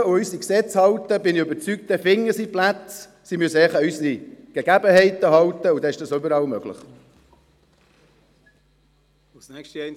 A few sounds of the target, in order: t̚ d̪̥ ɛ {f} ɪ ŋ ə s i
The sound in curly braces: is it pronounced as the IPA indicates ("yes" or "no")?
yes